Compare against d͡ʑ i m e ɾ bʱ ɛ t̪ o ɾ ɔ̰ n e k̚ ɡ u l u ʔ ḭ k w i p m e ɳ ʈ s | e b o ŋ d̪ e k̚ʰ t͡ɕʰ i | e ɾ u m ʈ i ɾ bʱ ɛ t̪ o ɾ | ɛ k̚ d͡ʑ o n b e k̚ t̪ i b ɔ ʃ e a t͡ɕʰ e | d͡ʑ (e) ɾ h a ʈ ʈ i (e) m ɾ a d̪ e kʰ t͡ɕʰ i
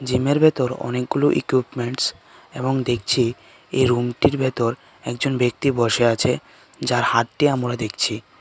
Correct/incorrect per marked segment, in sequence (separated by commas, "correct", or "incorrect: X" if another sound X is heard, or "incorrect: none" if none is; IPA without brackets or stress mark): incorrect: a, incorrect: a